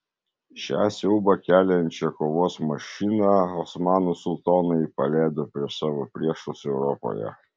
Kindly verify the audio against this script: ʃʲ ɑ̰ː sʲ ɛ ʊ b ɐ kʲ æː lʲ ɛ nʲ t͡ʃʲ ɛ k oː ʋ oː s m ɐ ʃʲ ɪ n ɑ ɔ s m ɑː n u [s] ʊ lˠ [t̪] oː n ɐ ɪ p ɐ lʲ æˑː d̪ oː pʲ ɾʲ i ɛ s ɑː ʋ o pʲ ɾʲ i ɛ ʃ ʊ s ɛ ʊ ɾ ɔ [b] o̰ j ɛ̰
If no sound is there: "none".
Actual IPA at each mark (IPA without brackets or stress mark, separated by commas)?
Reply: s, t̪, p